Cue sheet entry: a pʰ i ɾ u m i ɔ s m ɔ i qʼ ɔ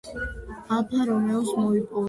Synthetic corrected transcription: a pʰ a ɾ ɔ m ɛ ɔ s m ɔ i pʼ ɔ